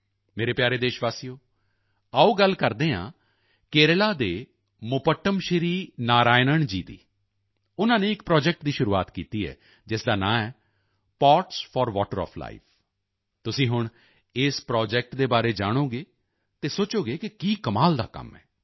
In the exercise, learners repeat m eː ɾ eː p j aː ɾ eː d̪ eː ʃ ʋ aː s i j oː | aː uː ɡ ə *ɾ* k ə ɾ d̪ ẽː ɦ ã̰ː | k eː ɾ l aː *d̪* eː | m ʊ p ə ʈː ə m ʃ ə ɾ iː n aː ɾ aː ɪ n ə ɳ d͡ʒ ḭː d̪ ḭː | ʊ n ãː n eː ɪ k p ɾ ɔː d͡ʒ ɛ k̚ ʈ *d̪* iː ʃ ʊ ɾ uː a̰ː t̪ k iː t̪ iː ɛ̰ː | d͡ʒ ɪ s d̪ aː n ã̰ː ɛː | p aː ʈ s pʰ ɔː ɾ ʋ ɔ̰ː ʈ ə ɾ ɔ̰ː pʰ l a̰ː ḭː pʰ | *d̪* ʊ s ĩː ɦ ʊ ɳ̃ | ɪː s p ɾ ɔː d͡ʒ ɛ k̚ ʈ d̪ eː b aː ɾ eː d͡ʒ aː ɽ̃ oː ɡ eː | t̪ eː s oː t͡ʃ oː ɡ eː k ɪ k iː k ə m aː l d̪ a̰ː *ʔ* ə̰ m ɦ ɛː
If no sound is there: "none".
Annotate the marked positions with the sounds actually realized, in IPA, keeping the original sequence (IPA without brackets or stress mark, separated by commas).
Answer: l, d̪, d̪, t̪, k